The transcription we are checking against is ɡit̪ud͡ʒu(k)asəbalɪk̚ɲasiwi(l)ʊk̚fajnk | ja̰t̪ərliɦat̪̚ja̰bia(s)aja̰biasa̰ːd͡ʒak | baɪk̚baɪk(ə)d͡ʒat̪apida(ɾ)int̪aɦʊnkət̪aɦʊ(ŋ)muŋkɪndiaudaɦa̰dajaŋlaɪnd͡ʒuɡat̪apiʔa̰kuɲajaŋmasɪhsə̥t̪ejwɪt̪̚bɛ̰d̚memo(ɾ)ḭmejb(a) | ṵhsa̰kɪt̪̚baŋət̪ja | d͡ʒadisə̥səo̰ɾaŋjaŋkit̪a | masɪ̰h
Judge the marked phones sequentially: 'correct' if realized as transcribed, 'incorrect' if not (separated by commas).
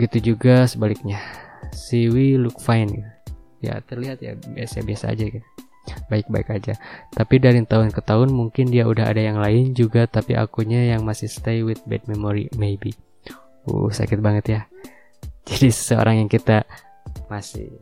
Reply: incorrect, correct, correct, incorrect, correct, incorrect, correct, incorrect